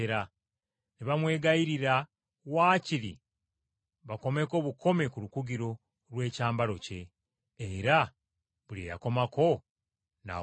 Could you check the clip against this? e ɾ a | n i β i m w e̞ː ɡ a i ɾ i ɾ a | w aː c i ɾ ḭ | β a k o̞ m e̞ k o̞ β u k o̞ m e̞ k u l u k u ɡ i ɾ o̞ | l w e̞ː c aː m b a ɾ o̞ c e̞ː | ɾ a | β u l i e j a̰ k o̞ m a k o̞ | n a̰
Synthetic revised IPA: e ɾ a | n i β a m w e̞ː ɡ a i ɾ i ɾ a | w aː c i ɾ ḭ | β a k o̞ m e̞ k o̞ β u k o̞ m e̞ k u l u k u ɡ i ɾ o̞ | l w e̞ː c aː m b a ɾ o̞ c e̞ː | ɾ a | β u l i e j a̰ k o̞ m a k o̞ | n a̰